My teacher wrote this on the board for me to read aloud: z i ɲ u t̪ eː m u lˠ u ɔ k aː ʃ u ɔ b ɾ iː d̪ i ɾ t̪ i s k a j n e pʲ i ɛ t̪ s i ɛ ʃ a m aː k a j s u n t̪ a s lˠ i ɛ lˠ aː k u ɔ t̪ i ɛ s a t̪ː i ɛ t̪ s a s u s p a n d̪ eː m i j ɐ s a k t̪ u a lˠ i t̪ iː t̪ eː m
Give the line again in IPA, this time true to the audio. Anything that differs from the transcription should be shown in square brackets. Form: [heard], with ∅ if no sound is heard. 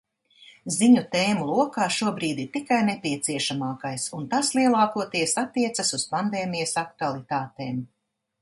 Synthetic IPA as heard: z i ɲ u t̪ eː m u lˠ u ɔ k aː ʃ u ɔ b ɾ iː d̪ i ɾ t̪ i [∅] k a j n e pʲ i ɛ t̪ s i ɛ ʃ a m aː k a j s u n t̪ a s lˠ i ɛ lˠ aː k u ɔ t̪ i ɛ s a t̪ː i ɛ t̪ s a s u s p a n d̪ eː m i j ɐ s a k t̪ u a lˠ i t̪ [aː] t̪ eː m